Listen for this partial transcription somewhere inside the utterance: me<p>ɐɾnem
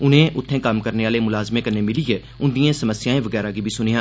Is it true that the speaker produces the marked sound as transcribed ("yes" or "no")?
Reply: no